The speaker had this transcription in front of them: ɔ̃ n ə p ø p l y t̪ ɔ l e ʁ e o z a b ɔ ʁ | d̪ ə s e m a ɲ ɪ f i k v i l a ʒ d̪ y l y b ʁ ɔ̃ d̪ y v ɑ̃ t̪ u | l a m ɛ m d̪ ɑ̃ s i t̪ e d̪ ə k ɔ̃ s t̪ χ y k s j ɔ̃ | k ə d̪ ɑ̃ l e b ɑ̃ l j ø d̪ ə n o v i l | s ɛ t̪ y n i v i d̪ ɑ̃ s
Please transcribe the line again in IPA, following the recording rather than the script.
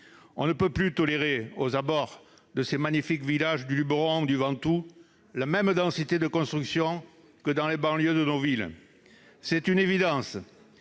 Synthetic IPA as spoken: ɔ̃ n ə p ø p l y t̪ ɔ l e ʁ e o z a b ɔ ʁ | d̪ ə s e m a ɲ i f i k v i l a ʒ d̪ y l y b ʁ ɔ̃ d̪ y v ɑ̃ t̪ u | l a m ɛ m d̪ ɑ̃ s i t̪ e d̪ ə k ɔ̃ s t̪ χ y k s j ɔ̃ | k ə d̪ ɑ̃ l e b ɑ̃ l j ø d̪ ə n o v i l | s ɛ t̪ y n e v i d̪ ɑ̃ s